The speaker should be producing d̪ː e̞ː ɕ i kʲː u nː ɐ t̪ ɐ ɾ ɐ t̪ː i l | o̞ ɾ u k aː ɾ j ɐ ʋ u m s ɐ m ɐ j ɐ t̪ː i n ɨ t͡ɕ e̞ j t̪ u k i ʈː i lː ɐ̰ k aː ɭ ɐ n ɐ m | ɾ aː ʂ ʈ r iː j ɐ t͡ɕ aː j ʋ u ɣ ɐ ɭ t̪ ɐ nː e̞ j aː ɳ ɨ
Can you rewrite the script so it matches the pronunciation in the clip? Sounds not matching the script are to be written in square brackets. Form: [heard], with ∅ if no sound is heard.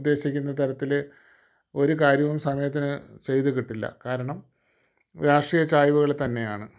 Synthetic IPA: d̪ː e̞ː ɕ i kʲː u nː ɐ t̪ ɐ ɾ ɐ t̪ː i l | o̞ ɾ u k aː ɾ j ɐ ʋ u m s ɐ m ɐ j ɐ t̪ː i n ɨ t͡ɕ e̞ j t̪ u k i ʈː i lː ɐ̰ k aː [ɾ] ɐ [ɳ] ɐ m | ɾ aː ʂ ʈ r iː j ɐ t͡ɕ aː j ʋ u ɣ ɐ ɭ t̪ ɐ nː e̞ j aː ɳ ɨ